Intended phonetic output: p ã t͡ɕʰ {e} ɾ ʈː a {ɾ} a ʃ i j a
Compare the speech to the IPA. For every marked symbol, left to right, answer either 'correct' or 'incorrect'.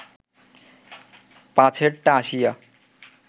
correct, incorrect: none

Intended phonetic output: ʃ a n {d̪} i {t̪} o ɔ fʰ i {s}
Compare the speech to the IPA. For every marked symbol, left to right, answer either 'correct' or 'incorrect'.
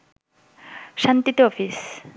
incorrect: t̪, correct, correct

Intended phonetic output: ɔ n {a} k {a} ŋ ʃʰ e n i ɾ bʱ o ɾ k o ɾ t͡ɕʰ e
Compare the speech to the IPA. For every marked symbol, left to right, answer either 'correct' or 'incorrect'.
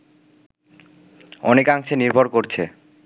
incorrect: e, correct

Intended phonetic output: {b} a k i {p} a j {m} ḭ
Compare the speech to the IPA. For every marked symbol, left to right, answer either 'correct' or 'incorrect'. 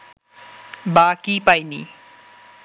correct, correct, incorrect: n

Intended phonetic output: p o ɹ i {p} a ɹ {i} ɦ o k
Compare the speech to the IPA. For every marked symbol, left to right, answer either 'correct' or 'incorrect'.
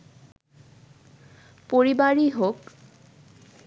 incorrect: b, correct

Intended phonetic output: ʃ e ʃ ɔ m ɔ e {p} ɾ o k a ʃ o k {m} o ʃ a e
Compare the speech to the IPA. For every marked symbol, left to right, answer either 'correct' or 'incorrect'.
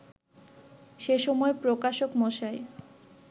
correct, correct

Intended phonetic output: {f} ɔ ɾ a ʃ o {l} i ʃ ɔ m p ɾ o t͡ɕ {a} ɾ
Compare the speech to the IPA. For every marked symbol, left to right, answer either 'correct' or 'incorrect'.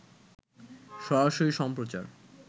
incorrect: ʃ, incorrect: ɾ, correct

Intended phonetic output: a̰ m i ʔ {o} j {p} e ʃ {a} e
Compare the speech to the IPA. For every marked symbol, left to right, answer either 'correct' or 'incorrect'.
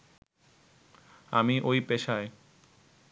correct, correct, correct

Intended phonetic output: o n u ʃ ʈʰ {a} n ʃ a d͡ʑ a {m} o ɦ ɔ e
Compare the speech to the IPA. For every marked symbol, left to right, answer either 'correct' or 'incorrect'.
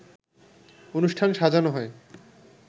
correct, incorrect: n

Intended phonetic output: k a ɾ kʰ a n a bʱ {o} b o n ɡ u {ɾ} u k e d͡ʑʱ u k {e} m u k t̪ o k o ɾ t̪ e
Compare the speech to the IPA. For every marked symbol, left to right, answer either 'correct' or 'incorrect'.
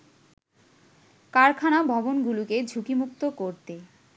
incorrect: ɔ, incorrect: l, incorrect: i

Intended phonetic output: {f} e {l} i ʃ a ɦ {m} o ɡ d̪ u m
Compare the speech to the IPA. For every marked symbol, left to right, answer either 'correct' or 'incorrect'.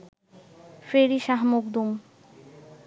correct, incorrect: ɾ, correct

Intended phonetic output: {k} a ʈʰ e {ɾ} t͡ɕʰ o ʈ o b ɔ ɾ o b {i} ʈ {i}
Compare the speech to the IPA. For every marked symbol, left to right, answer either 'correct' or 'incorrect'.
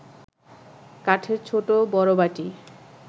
correct, correct, incorrect: a, correct

